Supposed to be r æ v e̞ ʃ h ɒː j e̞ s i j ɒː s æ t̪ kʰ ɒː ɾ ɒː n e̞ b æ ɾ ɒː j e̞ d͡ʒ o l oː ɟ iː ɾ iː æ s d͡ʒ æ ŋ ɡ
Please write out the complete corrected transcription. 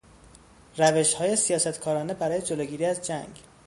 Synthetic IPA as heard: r æ v e̞ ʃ h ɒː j e̞ s i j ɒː s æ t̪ kʰ ɒː ɾ ɒː n e̞ b æ ɾ ɒː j e̞ d͡ʒ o l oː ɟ iː ɾ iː æ z d͡ʒ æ ŋ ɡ